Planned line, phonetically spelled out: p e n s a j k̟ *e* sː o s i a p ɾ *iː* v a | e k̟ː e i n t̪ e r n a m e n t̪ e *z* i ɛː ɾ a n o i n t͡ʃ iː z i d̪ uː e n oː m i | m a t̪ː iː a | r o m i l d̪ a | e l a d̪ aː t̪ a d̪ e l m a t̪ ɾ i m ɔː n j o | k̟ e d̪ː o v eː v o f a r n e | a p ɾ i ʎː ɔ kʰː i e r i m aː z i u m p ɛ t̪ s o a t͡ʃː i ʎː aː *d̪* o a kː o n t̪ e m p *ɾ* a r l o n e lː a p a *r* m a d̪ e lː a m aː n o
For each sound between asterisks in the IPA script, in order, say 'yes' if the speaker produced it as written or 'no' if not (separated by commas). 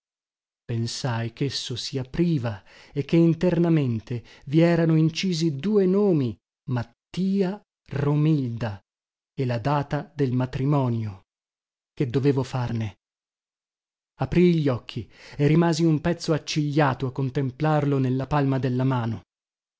yes, yes, no, no, no, no